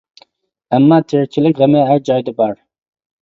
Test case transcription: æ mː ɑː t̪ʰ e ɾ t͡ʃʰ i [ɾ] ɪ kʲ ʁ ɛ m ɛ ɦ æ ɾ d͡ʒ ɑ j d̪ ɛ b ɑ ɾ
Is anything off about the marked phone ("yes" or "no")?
yes